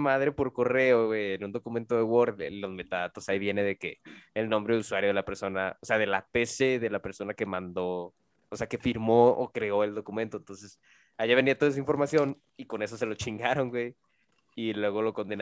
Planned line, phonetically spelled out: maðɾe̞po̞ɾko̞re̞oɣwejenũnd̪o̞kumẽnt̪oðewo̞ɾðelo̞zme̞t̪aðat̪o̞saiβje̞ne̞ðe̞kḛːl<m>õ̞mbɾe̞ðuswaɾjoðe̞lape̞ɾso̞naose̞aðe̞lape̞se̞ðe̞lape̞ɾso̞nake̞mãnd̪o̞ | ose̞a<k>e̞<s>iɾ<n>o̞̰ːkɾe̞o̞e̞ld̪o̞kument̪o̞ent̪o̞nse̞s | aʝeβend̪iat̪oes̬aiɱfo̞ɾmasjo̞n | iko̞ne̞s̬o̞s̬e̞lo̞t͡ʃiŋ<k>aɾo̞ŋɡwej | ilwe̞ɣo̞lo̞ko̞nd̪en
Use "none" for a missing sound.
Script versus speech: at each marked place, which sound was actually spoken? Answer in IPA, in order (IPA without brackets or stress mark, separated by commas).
n, k, f, m, ɡ